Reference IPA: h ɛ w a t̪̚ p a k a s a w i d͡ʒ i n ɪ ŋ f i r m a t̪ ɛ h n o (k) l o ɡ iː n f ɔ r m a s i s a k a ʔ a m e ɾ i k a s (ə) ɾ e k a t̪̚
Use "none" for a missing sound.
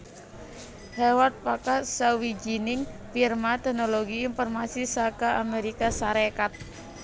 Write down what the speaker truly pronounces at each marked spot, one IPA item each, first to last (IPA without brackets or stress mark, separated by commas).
none, a